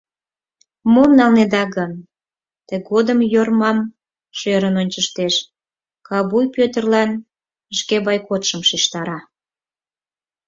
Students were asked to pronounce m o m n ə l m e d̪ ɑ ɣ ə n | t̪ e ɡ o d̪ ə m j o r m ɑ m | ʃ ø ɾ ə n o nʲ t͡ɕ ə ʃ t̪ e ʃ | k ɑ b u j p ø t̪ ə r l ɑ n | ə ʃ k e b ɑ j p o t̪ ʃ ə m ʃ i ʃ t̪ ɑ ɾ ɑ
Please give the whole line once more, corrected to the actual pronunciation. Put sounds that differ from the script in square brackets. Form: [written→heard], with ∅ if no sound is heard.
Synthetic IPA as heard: m o m n [ə→ɑ] l [m→n] e d̪ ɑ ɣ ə n | t̪ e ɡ o d̪ ə m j o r m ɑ m | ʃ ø ɾ ə n o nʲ t͡ɕ ə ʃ t̪ e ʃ | k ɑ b u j p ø t̪ ə r l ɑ n | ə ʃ k e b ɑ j [p→k] o t̪ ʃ ə m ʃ i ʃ t̪ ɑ ɾ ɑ